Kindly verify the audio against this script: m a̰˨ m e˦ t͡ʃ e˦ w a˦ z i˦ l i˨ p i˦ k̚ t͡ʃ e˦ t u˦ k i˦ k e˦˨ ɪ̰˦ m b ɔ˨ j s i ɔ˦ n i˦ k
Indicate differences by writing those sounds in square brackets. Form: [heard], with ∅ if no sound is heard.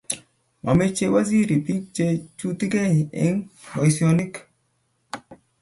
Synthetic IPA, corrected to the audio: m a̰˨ m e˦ t͡ʃ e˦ w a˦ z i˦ [ɾ] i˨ p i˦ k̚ t͡ʃ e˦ [t͡ʃ] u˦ [t] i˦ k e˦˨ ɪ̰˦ [ŋ] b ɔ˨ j s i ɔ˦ n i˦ k